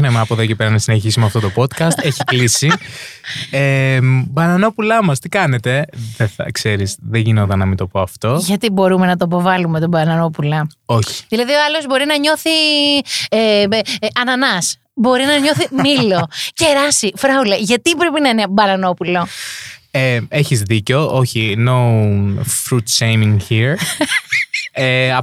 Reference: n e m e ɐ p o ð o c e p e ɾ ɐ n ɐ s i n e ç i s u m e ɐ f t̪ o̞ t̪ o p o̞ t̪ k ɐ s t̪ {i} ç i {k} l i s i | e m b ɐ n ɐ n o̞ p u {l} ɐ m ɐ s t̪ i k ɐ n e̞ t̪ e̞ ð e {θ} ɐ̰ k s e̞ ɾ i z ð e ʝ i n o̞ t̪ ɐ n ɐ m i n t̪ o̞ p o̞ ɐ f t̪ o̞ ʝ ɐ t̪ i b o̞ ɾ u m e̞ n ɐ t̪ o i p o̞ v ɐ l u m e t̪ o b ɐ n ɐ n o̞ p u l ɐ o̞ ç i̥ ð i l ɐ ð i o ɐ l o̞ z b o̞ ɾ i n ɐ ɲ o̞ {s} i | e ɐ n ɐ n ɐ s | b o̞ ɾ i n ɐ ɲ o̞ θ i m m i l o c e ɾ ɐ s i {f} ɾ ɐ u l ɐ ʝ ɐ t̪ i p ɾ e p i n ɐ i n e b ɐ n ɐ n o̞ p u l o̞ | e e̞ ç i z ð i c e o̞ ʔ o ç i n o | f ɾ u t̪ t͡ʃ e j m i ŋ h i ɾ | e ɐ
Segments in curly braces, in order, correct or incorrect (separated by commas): incorrect, correct, correct, correct, incorrect, correct